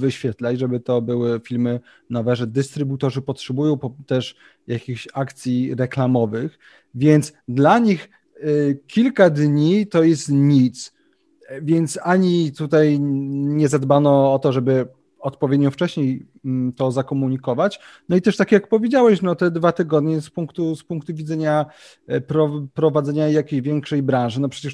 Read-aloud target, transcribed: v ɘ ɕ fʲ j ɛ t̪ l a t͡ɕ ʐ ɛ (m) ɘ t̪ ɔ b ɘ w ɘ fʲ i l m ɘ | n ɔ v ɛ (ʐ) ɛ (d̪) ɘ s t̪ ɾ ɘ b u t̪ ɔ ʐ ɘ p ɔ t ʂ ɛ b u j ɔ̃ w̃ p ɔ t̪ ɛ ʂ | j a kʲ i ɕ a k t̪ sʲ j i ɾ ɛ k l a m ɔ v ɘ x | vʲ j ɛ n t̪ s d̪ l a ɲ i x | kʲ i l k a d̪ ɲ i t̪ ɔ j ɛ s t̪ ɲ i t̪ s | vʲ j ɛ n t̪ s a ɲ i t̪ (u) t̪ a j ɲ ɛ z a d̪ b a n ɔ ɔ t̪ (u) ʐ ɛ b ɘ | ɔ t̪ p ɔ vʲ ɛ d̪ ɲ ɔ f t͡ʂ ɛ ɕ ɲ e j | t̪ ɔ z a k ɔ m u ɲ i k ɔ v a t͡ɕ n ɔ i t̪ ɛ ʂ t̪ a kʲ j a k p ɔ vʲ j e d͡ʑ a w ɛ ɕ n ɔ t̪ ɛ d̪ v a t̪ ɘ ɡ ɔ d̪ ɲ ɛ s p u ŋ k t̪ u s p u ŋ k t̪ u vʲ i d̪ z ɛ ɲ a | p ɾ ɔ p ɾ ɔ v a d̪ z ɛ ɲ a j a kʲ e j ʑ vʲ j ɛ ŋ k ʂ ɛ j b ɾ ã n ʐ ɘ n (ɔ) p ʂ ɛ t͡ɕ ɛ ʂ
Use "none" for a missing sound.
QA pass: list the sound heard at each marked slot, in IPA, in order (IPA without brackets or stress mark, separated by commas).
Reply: b, ʐ, d̪, u, ɔ, ɔ